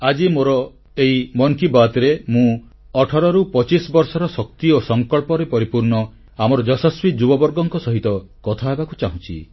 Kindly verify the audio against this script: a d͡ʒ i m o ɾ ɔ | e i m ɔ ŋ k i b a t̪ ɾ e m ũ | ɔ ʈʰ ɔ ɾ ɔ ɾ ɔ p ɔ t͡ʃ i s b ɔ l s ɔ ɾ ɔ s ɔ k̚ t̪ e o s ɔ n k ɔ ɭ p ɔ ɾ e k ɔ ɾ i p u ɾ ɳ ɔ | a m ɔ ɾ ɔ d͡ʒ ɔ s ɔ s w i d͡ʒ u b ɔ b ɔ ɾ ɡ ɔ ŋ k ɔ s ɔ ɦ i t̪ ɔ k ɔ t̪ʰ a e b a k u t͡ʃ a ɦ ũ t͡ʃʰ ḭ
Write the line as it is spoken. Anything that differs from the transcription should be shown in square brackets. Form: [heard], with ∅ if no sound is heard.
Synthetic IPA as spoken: a d͡ʒ i m o ɾ ɔ | e i m ɔ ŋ k i b a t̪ ɾ e m ũ | ɔ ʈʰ ɔ ɾ ɔ ɾ [u] p ɔ t͡ʃ i s b ɔ [ɾ] s ɔ ɾ ɔ s ɔ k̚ t̪ [i] o s ɔ [ŋ] k ɔ ɭ p ɔ ɾ e [p] ɔ ɾ i p u ɾ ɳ ɔ | a m ɔ ɾ ɔ d͡ʒ ɔ s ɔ s w i d͡ʒ u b ɔ b ɔ ɾ ɡ ɔ ŋ k ɔ s ɔ ɦ i t̪ ɔ k ɔ t̪ʰ a e b a k u t͡ʃ a ɦ ũ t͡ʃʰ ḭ